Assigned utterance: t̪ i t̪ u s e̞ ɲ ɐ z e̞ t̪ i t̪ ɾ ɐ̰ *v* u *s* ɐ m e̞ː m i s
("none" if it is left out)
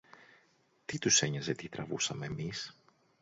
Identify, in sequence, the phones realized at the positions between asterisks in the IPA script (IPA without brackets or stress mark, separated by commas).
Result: v, s